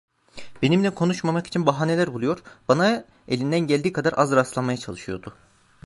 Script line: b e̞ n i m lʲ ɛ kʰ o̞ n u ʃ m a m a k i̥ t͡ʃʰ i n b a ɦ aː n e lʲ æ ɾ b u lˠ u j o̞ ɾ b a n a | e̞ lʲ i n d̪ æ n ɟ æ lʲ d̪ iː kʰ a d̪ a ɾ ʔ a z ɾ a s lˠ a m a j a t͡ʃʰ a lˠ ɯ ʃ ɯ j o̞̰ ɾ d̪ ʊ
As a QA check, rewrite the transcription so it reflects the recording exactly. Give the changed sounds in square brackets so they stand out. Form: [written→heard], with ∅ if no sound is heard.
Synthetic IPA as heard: b e̞ n i m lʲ ɛ kʰ o̞ n u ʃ m a m a k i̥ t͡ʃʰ i n b a ɦ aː n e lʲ æ ɾ b u lˠ u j o̞ ɾ b a n a | e̞ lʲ i n d̪ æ n ɟ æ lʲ d̪ iː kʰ a d̪ a ɾ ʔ a z ɾ a s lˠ a m a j a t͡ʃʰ a lˠ ɯ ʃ ɯ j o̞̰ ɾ d̪ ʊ